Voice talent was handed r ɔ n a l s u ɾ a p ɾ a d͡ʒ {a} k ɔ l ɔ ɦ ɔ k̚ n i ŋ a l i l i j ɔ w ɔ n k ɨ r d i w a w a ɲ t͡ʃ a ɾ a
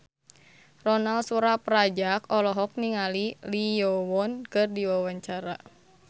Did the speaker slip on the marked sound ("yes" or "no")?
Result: no